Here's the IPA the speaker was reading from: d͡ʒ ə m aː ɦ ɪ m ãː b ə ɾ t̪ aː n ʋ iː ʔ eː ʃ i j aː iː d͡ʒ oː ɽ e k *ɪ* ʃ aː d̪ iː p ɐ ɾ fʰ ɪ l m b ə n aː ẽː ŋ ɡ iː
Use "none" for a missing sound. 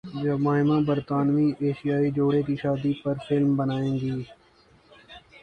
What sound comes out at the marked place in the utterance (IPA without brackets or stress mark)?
i